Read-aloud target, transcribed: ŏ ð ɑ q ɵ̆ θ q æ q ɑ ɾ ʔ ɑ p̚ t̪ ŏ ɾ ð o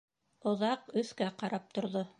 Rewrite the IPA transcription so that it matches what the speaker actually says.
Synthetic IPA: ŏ ð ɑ q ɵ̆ θ k æ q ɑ ɾ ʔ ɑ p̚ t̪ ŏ ɾ ð o

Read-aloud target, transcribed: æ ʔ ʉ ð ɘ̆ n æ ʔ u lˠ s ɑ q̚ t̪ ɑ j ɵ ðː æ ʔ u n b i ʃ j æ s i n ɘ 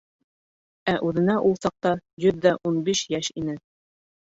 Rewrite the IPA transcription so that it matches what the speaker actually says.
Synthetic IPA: æ ʔ ʉ ð ɘ̆ n æ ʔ u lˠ s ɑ q̚ t̪ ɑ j ɵ ðː æ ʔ u n b i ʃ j æ ʃ i n ɘ

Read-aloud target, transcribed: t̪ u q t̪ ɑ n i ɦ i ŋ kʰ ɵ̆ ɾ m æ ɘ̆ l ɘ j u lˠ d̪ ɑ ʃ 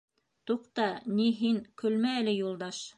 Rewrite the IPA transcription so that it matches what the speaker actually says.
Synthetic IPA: t̪ u q t̪ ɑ n i ɦ i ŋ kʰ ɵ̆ l m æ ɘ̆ l ɘ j u lˠ d̪ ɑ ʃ

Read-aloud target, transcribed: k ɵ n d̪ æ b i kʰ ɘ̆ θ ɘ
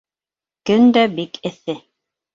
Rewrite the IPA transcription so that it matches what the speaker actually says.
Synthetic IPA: k ɵ n d̪ æ b i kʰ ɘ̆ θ ɘ

